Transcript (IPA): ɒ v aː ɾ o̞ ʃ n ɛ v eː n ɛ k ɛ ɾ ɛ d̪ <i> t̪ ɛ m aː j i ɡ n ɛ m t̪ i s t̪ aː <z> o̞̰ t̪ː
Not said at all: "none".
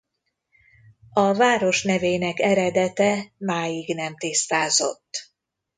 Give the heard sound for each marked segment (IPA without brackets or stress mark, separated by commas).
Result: ɛ, z